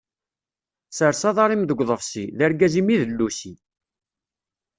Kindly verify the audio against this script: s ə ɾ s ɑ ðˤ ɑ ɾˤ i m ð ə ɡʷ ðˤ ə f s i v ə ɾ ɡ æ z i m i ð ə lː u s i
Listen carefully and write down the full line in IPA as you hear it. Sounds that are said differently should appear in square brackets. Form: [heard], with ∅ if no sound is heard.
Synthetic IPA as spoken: s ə ɾ s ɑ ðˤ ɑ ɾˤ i m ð ə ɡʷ ðˤ ə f s i [ð] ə ɾ ɡ æ z i m i ð ə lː u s i